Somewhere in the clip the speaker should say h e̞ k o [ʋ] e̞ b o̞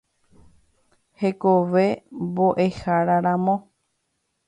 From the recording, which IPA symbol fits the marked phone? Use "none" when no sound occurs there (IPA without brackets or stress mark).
ʋ